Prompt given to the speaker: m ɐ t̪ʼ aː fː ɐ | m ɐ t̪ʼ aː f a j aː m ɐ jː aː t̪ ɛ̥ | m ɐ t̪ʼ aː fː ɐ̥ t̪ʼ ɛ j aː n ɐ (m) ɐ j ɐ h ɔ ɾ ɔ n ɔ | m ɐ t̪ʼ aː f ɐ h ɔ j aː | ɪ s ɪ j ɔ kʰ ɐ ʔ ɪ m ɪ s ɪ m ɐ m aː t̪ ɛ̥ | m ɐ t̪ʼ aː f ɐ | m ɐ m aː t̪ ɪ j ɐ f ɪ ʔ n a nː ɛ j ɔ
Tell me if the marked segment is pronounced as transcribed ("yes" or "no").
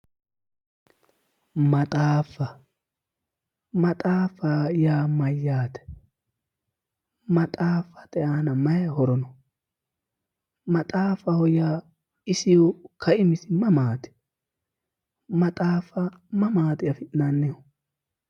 yes